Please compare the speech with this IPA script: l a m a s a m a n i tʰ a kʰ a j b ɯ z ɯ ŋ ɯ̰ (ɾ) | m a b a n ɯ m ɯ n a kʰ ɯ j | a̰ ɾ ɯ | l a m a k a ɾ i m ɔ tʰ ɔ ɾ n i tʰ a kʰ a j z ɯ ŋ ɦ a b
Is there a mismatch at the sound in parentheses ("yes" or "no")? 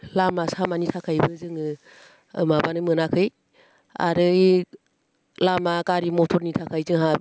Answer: yes